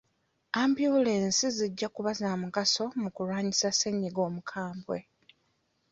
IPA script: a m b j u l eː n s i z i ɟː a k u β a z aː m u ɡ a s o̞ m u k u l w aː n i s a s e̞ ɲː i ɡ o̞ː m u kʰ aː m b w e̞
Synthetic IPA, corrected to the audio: a m b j u l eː n s i z i ɟː a k u β a z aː m u ɡ a s o̞ m u k u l w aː ɲ i s a s e̞ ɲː i ɡ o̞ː m u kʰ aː m b w e̞